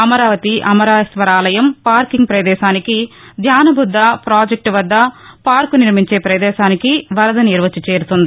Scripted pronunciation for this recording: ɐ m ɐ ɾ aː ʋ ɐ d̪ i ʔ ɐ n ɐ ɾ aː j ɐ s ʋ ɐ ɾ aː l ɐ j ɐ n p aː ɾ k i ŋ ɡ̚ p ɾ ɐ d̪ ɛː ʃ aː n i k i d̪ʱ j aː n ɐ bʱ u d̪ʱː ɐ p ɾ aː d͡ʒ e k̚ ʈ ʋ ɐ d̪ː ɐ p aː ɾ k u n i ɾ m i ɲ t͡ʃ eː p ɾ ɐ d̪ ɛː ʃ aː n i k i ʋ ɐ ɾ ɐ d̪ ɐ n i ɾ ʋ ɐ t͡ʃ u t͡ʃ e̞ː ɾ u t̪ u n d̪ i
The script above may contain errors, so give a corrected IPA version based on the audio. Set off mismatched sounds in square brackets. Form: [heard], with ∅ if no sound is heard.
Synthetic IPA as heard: ɐ m ɐ ɾ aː ʋ ɐ [t̪] i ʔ ɐ [m] ɐ ɾ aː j ɐ s ʋ ɐ ɾ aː l ɐ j ɐ [m] p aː ɾ k i ŋ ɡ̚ p ɾ ɐ d̪ ɛː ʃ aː n i k i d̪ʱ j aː n ɐ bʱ u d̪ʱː ɐ p ɾ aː d͡ʒ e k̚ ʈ ʋ ɐ d̪ː ɐ p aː ɾ k u n i ɾ m i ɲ t͡ʃ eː p ɾ ɐ d̪ ɛː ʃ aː n i k i ʋ ɐ ɾ ɐ d̪ ɐ n i ɾ ʋ ɐ t͡ʃ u t͡ʃ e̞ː ɾ u t̪ u n d̪ i